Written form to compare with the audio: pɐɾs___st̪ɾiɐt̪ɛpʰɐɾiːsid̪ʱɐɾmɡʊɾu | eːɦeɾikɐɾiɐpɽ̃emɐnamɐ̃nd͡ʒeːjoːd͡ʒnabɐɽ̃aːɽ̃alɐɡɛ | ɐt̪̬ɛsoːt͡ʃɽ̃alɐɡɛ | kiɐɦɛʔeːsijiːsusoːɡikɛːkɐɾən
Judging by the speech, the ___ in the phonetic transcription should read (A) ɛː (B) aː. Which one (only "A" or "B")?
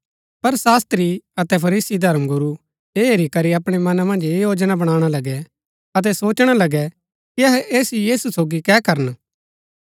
B